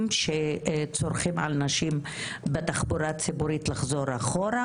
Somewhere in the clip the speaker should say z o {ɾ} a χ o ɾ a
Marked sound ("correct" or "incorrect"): correct